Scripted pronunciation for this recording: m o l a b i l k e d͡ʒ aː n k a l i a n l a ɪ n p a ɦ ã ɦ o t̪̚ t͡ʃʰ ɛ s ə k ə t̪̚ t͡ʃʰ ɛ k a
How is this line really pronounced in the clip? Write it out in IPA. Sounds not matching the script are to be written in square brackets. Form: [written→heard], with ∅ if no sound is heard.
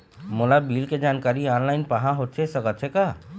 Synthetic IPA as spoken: m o l a b i l k e d͡ʒ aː n k a [l→ɾ] i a n l a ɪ n p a ɦ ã ɦ o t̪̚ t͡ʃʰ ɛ s ə k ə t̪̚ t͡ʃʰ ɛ k a